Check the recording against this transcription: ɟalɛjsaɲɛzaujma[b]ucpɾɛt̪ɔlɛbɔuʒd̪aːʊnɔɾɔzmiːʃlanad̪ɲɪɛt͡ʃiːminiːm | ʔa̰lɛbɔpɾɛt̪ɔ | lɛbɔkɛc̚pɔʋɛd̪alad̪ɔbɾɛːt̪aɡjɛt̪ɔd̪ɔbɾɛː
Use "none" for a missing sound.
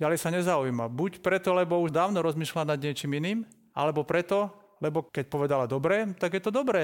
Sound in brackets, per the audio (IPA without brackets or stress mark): b